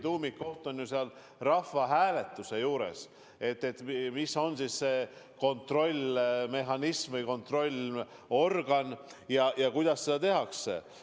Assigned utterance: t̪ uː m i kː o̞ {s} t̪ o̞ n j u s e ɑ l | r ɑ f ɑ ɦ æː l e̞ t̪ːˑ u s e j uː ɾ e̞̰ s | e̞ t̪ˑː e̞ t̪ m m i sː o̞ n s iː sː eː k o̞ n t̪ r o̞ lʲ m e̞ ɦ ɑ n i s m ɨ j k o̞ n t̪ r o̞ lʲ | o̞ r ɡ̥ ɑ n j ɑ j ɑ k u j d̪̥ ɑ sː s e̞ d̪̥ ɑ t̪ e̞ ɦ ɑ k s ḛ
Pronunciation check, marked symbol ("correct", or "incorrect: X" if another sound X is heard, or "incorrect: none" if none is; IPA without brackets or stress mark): incorrect: h